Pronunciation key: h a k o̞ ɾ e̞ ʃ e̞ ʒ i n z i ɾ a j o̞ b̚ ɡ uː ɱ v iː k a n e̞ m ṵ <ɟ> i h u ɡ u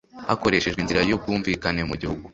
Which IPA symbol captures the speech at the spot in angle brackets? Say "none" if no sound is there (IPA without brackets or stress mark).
ɟ